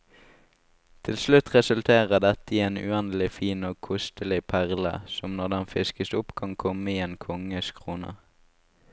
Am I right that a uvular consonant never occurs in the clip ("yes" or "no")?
no